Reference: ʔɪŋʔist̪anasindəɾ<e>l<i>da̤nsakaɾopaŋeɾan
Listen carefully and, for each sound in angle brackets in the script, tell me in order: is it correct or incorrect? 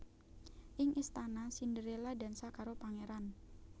correct, incorrect

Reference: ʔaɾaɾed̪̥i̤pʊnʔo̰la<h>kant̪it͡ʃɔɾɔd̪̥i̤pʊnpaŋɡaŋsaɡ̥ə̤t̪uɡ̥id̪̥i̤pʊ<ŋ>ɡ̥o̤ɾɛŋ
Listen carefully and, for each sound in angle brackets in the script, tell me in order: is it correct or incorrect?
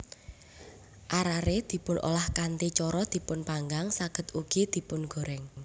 correct, incorrect

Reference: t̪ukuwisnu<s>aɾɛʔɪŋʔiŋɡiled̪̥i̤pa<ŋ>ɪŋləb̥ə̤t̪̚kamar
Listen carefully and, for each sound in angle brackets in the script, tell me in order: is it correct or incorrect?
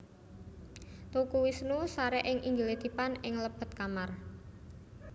correct, incorrect

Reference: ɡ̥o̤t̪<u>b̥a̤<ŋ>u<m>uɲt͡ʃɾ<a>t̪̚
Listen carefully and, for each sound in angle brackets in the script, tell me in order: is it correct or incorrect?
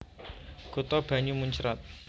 incorrect, incorrect, correct, correct

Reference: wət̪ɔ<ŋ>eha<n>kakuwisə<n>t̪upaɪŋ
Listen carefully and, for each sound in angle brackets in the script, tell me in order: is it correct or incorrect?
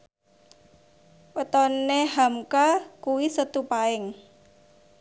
incorrect, incorrect, incorrect

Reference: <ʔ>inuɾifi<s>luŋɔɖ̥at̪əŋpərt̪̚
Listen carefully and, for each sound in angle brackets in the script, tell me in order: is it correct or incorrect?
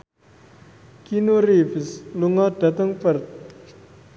incorrect, correct

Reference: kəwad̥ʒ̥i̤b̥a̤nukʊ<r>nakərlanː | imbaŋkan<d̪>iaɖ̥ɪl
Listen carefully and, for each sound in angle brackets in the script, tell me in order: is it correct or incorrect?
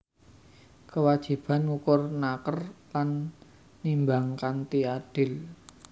correct, incorrect

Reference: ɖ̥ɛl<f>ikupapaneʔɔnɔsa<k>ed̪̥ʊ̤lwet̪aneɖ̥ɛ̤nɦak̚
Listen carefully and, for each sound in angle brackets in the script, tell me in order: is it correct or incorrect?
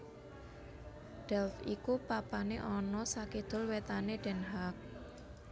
correct, correct

